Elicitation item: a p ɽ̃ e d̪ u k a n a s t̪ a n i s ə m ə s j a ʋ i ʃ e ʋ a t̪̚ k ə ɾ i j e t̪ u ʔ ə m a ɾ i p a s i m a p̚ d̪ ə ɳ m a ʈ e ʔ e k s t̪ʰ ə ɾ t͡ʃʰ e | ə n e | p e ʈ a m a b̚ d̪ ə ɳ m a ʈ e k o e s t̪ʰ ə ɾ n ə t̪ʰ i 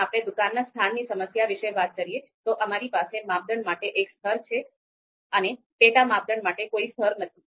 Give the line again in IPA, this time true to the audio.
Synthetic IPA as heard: a p ɽ̃ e d̪ u k a nː a s t̪ʰ a nː i s ə m ə s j a ʋ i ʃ e ʋ a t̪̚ k ə ɾ i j e t̪ o ʔ ə m a ɾ i p a s e m a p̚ d̪ ə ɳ m a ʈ e ʔ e k s t̪ʰ ə ɾ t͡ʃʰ e | ə n e | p e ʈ a m a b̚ d̪ ə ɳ m a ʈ e k o i s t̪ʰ ə ɾ n ə t̪ʰ i